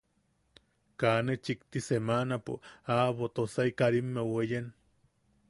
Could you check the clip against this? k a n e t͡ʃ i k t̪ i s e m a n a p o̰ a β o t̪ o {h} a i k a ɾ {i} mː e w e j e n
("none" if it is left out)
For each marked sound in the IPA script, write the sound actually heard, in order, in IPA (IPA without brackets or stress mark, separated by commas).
s, i